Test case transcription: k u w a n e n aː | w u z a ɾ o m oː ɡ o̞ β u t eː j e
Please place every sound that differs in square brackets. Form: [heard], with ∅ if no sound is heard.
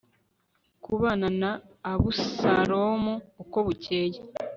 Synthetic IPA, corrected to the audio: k u [β] a n [a] n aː | [β] u [s] a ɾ o m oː [k] o̞ β u [c] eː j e